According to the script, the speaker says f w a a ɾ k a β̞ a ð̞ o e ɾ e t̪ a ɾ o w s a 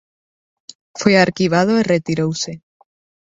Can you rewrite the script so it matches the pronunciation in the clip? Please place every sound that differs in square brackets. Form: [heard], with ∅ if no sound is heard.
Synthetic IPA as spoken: f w [e] a ɾ k [i] β̞ a ð̞ o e [r] e t̪ [i] ɾ o w s [e]